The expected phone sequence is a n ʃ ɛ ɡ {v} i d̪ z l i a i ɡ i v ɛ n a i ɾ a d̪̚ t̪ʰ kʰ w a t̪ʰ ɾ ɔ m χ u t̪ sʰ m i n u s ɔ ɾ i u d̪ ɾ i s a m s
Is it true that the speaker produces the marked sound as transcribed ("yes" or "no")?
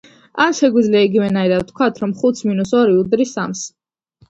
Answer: no